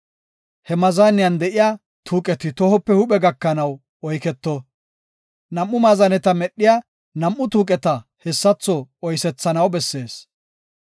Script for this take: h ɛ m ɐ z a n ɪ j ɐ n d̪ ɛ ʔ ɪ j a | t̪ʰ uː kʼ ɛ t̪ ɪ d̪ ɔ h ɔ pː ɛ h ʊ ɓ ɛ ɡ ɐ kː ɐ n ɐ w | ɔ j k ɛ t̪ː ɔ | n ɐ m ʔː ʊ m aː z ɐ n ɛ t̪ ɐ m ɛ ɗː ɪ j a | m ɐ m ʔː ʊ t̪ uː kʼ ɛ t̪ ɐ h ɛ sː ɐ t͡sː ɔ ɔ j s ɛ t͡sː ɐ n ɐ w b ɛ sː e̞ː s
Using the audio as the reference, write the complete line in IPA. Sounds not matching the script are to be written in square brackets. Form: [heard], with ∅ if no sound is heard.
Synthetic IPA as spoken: h ɛ m ɐ z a n ɪ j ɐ n d̪ ɛ ʔ ɪ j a | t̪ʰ uː kʼ ɛ t̪ ɪ [t̪] ɔ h ɔ pː ɛ h ʊ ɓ ɛ ɡ ɐ kː ɐ n ɐ w | ɔ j k ɛ t̪ː ɔ | n ɐ m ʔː ʊ m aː z ɐ n ɛ t̪ ɐ m ɛ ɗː ɪ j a | [n] ɐ m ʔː ʊ t̪ uː kʼ ɛ t̪ ɐ h ɛ sː ɐ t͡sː ɔ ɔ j s ɛ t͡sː ɐ n ɐ w b ɛ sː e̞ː s